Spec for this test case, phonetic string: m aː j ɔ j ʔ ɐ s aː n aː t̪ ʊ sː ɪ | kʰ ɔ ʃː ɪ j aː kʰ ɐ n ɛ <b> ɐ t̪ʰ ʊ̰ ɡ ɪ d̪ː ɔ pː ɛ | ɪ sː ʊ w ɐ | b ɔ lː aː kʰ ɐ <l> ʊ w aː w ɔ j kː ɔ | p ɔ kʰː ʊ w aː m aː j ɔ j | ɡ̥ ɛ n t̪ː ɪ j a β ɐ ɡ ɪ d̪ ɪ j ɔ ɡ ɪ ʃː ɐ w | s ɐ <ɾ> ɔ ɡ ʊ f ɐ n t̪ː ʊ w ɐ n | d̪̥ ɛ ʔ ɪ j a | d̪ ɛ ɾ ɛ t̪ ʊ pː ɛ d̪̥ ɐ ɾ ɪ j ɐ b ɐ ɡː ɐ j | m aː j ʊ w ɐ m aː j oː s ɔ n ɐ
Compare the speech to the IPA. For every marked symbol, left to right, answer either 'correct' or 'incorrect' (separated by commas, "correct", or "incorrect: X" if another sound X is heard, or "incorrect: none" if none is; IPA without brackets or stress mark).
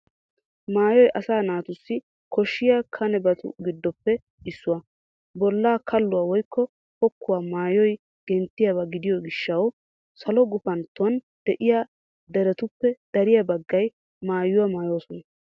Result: correct, incorrect: lː, incorrect: l